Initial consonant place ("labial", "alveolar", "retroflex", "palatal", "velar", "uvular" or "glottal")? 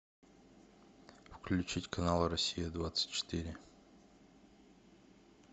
labial